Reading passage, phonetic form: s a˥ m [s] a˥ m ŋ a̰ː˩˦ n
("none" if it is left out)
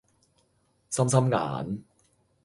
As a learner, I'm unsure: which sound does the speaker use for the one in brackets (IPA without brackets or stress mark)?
s